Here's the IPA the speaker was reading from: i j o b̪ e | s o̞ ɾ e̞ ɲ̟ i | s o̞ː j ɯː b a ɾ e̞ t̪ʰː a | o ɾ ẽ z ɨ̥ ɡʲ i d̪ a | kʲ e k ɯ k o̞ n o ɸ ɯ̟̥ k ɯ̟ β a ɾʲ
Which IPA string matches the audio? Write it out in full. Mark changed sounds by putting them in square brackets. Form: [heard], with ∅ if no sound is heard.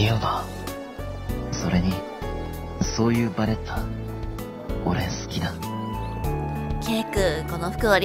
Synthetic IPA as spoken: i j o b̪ [a] | s o̞ ɾ e̞ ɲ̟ i | s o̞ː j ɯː b a ɾ e̞ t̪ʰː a | o ɾ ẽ [s] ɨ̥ [kʲ] i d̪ a | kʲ e k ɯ k o̞ n o ɸ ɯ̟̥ k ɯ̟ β a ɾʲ